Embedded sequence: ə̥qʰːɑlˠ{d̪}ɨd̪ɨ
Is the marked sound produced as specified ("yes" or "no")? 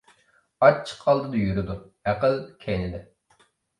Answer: yes